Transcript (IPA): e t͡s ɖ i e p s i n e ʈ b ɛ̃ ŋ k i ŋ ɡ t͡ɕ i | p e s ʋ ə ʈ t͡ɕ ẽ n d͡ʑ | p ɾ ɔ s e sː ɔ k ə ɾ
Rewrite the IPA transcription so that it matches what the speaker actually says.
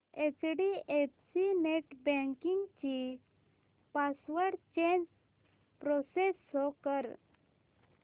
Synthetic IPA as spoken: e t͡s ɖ i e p s i n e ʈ b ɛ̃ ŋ k i ŋ ɡ t͡ɕ i | p a s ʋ ə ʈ t͡ɕ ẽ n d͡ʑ | p ɾ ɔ s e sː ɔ k ə ɾ